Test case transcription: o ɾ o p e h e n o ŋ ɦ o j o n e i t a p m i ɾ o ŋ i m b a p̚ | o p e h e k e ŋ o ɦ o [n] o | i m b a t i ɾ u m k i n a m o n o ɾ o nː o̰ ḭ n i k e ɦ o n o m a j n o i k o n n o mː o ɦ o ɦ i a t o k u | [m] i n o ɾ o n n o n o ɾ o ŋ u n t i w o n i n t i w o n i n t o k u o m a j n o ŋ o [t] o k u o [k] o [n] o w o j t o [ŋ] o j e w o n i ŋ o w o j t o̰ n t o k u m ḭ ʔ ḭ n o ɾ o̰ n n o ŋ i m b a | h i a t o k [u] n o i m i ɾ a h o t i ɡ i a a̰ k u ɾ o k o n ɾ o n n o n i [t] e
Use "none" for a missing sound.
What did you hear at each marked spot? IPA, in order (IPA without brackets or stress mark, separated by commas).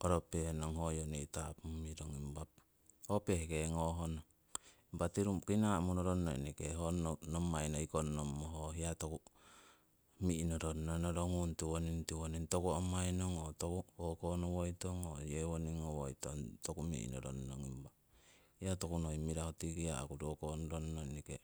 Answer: n, m, t, k, n, ŋ, u, k